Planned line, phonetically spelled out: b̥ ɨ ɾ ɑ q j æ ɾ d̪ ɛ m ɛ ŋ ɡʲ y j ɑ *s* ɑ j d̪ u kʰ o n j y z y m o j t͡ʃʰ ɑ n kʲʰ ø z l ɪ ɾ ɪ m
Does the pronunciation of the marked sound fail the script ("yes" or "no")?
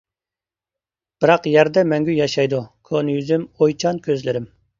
yes